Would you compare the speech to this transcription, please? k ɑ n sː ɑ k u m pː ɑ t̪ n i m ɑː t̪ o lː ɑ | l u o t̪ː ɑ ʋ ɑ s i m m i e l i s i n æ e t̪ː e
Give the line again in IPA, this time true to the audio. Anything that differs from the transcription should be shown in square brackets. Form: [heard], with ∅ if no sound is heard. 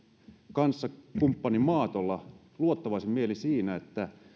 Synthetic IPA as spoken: k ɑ n sː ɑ k u m pː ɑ [∅] n i m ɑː t̪ o lː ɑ | l u o t̪ː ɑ ʋ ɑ s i m m i e l i s [iː] n æ e t̪ː [æ]